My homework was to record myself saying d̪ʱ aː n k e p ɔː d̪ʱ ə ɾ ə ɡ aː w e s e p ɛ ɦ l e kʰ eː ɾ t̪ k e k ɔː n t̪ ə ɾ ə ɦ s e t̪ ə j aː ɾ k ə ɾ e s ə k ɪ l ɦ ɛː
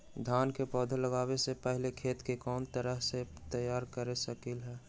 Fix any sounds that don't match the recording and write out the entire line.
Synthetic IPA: d̪ʱ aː n k e p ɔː d̪ʱ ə l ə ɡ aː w e s e p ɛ ɦ l e kʰ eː t̪ k e k ɔː n t̪ ə ɾ ə ɦ s e t̪ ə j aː ɾ k ə ɾ e s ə k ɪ l ɦ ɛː